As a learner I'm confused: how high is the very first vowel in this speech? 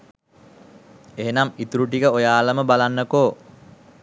mid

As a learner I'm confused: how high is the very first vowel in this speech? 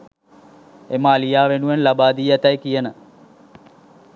mid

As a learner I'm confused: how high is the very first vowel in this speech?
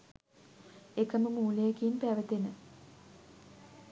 mid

